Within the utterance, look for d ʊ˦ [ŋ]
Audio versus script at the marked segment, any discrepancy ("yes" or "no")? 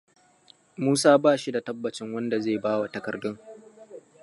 no